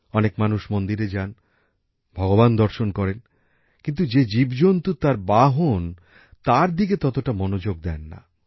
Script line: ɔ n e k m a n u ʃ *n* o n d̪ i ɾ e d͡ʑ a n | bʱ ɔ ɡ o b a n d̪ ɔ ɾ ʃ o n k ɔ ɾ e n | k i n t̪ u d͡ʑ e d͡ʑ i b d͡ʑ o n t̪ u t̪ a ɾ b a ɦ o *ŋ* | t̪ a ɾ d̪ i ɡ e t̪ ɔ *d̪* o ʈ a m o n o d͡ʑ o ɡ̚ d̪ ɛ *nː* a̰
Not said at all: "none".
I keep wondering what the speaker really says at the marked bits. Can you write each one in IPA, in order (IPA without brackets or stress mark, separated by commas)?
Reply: m, n, t̪, nː